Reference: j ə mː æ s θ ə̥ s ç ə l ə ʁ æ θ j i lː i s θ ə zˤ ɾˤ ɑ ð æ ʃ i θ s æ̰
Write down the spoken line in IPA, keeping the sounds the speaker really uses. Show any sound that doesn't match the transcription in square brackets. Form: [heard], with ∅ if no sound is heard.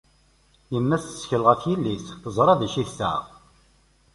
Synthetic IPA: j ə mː æ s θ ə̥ s ç ə l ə ʁ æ θ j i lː i s θ ə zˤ ɾˤ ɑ ð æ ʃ i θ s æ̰